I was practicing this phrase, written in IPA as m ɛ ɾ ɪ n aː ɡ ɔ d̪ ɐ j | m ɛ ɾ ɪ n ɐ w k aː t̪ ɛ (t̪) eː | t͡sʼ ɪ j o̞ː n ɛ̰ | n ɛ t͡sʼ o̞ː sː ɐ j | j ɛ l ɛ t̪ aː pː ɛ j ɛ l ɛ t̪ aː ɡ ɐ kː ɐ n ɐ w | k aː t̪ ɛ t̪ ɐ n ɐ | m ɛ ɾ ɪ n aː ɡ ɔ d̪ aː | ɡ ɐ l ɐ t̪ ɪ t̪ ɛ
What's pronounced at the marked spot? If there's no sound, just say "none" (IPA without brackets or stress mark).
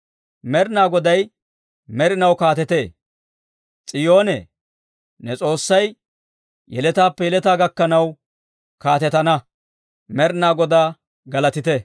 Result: t̪